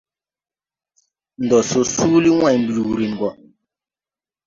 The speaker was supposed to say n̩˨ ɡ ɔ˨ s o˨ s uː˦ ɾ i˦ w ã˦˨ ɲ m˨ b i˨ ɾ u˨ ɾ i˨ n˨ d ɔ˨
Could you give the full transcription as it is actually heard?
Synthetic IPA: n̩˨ d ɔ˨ s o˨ s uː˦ l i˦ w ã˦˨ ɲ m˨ b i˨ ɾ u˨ ɾ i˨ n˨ ɡ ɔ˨